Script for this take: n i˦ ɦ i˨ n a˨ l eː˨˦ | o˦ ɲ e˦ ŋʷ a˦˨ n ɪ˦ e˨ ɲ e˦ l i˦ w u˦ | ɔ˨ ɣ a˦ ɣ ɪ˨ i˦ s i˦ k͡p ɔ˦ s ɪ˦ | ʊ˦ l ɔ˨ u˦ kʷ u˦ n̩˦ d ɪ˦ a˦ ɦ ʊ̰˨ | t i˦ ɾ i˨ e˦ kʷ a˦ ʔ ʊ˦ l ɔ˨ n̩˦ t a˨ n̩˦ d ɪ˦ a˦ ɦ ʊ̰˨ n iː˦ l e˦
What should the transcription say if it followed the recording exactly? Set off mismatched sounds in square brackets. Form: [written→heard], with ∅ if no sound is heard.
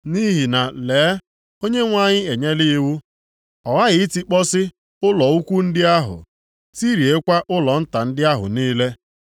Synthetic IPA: n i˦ ɦ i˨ n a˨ l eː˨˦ | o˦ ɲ e˦ ŋʷ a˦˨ [n→ɲ] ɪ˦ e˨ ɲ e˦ l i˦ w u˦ | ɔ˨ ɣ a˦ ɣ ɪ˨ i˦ [s→t] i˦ k͡p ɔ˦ s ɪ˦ | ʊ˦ l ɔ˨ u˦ kʷ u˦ n̩˦ d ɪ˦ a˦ ɦ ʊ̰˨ | t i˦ ɾ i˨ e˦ kʷ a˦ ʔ ʊ˦ l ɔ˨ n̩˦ t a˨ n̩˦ d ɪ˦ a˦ ɦ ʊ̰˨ n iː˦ l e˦